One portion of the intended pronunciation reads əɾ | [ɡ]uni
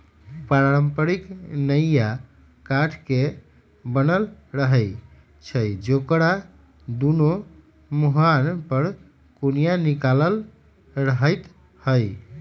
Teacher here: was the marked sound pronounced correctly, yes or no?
no